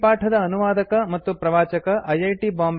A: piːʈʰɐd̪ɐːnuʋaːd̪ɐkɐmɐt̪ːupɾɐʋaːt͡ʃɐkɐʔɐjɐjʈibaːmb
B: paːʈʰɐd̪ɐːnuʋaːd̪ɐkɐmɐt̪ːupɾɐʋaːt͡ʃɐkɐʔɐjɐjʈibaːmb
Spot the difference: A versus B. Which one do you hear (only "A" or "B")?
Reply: B